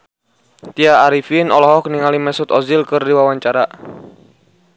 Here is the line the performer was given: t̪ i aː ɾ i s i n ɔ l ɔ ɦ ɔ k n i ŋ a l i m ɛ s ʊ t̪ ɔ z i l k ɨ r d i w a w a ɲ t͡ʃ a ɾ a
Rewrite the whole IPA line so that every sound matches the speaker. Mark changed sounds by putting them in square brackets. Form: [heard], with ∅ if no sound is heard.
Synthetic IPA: t̪ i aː ɾ i [f] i n ɔ l ɔ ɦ ɔ k n i ŋ a l i m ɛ s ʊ t̪ ɔ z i l k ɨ r d i w a w a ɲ t͡ʃ a ɾ a